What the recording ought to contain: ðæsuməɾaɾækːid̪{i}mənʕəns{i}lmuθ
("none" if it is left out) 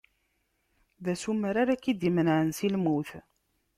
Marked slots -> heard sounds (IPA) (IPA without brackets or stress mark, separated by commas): i, i